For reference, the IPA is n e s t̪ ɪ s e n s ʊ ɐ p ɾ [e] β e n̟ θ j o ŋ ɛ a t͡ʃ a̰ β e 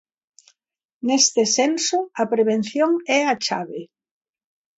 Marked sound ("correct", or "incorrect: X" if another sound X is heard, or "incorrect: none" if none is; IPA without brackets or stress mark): correct